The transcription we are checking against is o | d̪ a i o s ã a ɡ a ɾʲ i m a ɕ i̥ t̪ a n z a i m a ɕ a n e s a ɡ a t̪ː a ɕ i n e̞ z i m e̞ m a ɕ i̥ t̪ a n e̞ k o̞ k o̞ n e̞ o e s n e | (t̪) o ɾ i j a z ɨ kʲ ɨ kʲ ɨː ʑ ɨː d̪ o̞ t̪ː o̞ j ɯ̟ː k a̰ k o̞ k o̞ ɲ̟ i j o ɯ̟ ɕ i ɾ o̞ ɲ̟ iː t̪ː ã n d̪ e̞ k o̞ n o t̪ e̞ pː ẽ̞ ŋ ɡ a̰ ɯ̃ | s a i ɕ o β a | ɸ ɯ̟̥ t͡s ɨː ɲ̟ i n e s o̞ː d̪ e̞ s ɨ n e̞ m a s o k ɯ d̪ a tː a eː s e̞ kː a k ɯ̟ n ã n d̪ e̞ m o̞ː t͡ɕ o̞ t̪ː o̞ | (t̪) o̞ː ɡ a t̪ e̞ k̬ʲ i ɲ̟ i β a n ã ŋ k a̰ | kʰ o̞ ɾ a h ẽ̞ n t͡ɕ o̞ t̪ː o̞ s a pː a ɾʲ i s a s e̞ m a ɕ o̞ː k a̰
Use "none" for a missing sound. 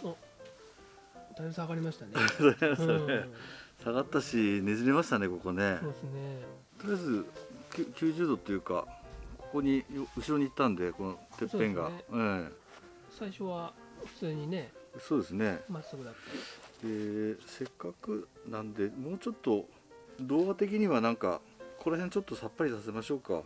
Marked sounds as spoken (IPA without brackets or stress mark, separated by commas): t̪, d̪